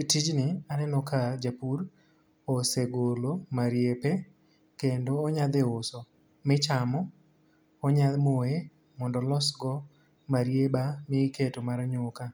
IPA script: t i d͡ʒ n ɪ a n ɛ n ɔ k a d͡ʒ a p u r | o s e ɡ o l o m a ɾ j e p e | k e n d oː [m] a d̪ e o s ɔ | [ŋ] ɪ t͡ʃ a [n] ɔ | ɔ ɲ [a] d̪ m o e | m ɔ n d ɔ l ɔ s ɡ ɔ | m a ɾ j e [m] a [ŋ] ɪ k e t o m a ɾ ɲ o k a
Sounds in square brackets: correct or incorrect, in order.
incorrect: ɲ, incorrect: m, incorrect: m, correct, incorrect: b, incorrect: m

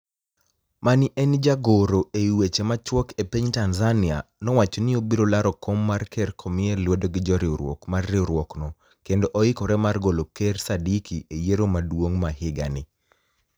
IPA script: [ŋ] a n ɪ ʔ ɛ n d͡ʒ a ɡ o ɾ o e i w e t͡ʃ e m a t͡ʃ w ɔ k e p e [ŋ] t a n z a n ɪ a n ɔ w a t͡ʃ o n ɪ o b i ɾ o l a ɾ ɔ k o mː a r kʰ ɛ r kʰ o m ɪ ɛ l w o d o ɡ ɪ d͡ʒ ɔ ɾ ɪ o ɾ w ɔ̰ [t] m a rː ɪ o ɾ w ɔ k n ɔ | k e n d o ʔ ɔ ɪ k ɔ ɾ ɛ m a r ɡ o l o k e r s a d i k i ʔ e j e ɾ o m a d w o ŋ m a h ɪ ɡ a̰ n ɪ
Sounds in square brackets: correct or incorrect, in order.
incorrect: m, incorrect: ɲ, incorrect: k

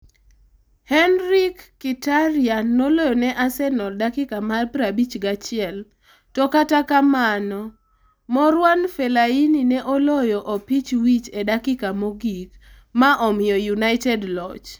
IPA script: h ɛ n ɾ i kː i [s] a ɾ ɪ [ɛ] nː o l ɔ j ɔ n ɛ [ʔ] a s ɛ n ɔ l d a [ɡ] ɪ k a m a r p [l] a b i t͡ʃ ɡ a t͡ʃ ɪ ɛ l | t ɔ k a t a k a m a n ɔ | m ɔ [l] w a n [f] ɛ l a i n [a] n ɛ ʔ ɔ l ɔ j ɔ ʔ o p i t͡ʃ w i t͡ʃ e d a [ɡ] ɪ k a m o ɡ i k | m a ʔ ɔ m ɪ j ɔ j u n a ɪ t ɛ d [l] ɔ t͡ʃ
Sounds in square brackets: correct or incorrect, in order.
incorrect: t, incorrect: a, correct, incorrect: k, incorrect: ɾ, incorrect: ɾ, correct, incorrect: i, incorrect: k, correct

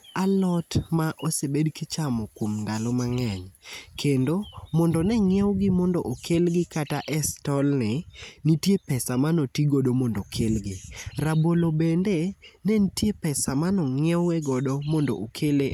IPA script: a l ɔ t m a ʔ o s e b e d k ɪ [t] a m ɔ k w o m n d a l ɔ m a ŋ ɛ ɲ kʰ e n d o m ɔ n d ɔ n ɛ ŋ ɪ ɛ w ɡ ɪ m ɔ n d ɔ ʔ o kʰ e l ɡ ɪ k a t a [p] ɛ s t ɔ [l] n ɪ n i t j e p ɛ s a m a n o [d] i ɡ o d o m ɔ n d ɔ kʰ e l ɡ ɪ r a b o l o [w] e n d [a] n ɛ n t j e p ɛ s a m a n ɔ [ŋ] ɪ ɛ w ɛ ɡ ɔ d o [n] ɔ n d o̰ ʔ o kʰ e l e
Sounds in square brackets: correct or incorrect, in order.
incorrect: t͡ʃ, incorrect: ʔ, correct, incorrect: t, incorrect: b, incorrect: e, correct, incorrect: m

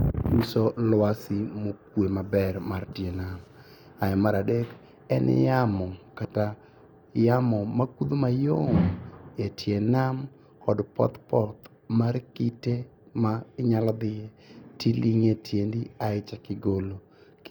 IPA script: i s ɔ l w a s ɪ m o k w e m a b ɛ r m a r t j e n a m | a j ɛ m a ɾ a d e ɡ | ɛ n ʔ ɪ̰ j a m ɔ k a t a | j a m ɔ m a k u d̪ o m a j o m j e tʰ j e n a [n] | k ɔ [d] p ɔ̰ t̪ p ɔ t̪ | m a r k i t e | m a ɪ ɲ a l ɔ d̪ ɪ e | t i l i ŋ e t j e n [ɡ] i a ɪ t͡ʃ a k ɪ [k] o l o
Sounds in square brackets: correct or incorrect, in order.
incorrect: m, correct, incorrect: d, incorrect: ɡ

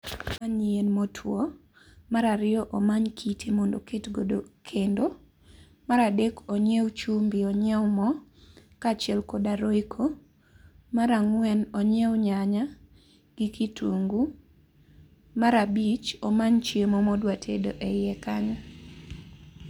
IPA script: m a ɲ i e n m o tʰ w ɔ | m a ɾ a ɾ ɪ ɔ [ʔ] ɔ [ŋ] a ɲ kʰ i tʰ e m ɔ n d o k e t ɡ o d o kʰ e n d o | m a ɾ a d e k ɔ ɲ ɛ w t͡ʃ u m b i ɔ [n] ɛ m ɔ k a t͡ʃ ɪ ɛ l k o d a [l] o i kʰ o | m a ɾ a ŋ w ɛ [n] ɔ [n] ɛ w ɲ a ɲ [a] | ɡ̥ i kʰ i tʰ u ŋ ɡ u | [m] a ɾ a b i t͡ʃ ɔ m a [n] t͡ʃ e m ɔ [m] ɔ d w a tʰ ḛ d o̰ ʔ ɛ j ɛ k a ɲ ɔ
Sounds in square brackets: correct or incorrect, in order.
correct, incorrect: m, incorrect: ɲ, incorrect: ɾ, correct, incorrect: ɲ, correct, correct, incorrect: ɲ, correct

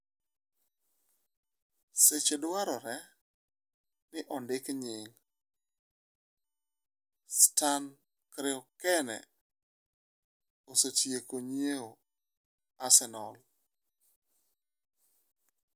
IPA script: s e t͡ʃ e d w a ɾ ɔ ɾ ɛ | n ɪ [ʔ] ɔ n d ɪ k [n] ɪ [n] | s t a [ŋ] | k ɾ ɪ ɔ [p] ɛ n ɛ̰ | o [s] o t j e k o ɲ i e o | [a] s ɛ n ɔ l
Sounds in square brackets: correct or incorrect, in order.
correct, incorrect: ɲ, incorrect: ŋ, incorrect: n, incorrect: k, correct, correct

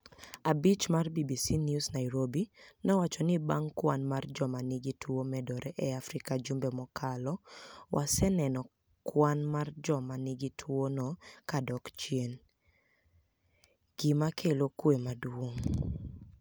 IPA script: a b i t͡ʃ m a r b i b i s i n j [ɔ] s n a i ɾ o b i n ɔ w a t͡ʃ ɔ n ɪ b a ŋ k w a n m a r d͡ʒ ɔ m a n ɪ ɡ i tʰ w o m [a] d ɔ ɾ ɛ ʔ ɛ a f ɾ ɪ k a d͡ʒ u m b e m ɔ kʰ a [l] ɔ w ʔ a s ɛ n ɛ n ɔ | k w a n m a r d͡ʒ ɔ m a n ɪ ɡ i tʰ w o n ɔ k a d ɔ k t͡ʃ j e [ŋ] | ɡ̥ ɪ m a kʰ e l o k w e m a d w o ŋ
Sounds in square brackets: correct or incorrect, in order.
incorrect: u, incorrect: ɛ, correct, incorrect: n

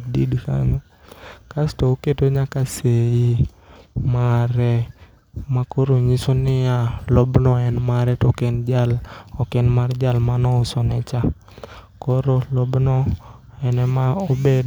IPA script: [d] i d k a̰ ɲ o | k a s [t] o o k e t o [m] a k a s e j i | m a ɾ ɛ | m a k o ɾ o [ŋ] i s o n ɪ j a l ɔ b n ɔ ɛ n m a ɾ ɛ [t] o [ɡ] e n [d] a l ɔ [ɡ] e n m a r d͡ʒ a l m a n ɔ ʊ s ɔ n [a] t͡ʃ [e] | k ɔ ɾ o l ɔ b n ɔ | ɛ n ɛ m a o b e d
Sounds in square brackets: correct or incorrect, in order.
correct, correct, incorrect: ɲ, incorrect: ɲ, correct, incorrect: k, incorrect: d͡ʒ, incorrect: k, incorrect: ɛ, incorrect: a

